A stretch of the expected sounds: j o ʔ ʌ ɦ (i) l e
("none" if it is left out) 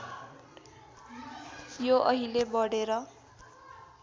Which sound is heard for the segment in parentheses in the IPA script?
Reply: i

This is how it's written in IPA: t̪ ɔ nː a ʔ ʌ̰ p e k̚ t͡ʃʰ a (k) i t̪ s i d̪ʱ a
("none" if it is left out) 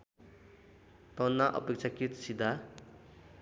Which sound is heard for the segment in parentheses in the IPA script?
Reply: k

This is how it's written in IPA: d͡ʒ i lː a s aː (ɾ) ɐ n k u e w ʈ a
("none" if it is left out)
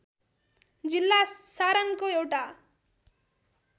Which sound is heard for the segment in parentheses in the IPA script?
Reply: ɾ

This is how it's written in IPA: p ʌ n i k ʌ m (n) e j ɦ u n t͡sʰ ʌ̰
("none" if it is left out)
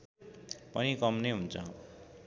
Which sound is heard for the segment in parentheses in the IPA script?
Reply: n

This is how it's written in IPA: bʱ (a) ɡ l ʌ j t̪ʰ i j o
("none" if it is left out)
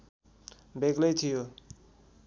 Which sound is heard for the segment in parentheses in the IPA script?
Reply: e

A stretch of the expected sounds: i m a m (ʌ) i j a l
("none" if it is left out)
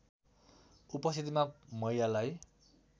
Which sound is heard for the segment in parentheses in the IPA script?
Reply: ʌ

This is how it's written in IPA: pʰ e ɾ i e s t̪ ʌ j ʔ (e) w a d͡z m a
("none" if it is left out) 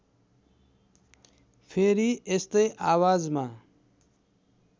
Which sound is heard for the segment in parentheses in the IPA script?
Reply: a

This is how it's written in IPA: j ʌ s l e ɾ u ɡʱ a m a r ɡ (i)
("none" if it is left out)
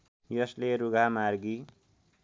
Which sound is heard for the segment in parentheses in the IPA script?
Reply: i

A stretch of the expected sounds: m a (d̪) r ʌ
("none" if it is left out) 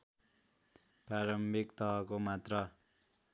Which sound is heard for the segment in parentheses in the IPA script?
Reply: t̪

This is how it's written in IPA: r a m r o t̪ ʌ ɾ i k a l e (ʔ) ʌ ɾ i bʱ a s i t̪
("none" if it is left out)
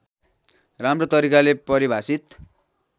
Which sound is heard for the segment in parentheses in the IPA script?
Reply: p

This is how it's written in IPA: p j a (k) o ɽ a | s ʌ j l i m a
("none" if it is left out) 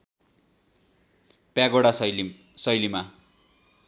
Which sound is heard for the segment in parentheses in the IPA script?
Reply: ɡ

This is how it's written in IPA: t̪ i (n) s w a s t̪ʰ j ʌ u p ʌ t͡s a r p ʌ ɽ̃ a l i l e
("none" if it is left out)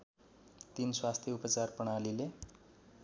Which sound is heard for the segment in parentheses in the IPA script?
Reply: n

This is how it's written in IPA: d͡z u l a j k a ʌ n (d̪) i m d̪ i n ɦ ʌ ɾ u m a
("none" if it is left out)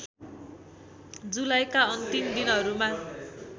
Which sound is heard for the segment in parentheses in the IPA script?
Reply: t̪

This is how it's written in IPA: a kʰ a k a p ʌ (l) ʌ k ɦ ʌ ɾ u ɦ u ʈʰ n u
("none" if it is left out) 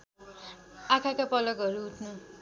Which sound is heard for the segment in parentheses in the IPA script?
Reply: l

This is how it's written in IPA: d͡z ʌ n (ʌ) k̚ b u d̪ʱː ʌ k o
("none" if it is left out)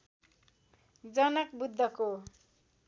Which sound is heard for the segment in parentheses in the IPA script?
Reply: ʌ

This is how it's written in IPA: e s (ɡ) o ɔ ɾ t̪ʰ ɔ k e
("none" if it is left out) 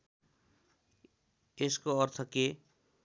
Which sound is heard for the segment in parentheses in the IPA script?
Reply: k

